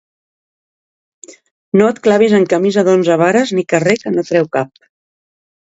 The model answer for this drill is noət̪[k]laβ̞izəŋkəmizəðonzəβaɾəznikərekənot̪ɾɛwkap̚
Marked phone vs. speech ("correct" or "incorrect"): correct